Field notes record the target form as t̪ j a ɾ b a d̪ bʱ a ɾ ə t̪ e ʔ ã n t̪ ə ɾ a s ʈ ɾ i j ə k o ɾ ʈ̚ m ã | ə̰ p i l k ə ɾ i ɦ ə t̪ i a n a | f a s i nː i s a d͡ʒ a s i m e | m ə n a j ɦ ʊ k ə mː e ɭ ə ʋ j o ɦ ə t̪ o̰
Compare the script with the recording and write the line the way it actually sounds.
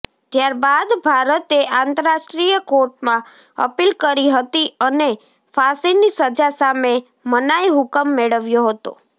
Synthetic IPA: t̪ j a ɾ b a d̪ bʱ a ɾ ə t̪ e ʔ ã n t̪ ə ɾ a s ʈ ɾ i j ə k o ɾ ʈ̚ m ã | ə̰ p i l k ə ɾ i ɦ ə t̪ i ə n e | f a s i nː i s ə d͡ʒ a s a m e | m ə n a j ɦ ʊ k ə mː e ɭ ə ʋ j o ɦ ə t̪ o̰